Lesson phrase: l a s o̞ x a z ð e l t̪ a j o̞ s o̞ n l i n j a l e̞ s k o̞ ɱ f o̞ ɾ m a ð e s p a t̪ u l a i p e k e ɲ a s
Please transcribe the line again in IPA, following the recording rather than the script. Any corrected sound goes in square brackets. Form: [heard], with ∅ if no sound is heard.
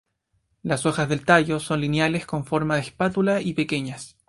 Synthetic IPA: l a s o̞ x a z ð e l t̪ a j o̞ s o̞ n l i n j a l e̞ s k o̞ ɱ f o̞ ɾ m a ð e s p a t̪ u l a i p e k e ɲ a s